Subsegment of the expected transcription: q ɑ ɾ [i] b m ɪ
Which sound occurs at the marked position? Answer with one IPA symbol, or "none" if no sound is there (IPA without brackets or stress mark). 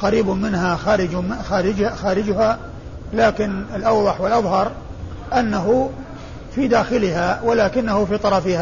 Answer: iː